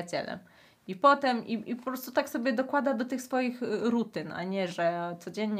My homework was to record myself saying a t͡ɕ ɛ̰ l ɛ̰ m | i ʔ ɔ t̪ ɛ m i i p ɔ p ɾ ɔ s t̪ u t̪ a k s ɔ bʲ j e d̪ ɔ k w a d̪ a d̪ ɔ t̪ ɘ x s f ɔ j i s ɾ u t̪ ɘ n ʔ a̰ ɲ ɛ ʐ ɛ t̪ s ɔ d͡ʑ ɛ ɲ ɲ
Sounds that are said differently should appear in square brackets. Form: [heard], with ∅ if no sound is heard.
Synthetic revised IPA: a t͡ɕ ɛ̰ l ɛ̰ m | i [p] ɔ t̪ ɛ m i i p ɔ p ɾ ɔ s t̪ u t̪ a k s ɔ bʲ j [ɛ] d̪ ɔ k w a d̪ a d̪ ɔ t̪ ɘ x s f ɔ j i [x] ɾ u t̪ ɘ n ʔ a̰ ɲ ɛ ʐ ɛ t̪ s ɔ d͡ʑ ɛ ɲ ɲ